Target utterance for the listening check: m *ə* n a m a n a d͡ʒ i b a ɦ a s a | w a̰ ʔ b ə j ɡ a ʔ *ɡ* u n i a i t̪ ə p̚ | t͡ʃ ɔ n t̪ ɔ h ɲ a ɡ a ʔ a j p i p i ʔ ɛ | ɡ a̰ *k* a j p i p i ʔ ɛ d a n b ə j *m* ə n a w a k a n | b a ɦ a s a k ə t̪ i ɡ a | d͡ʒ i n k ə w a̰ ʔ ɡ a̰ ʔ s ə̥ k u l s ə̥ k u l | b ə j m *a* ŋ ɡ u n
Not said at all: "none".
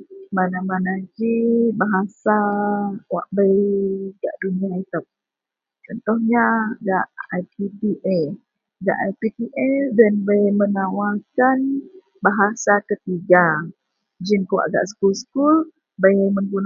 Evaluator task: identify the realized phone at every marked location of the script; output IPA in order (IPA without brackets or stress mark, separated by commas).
a, d, ʔ, m, ə